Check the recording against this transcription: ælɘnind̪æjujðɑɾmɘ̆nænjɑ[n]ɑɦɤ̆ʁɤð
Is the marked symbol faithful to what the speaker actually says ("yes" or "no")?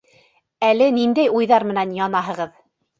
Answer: yes